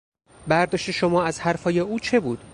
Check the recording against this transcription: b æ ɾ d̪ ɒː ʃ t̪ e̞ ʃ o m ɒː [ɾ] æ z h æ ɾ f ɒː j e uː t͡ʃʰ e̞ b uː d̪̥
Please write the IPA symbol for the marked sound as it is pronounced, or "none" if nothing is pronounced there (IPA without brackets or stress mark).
none